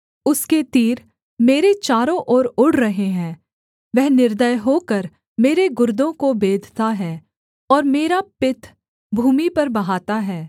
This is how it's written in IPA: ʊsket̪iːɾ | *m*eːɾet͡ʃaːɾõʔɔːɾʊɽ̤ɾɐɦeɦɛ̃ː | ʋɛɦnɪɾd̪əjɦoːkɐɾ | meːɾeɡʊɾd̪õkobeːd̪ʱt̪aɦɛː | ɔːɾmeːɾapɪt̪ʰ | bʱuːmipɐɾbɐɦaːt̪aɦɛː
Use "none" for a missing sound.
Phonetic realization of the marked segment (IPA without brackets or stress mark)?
m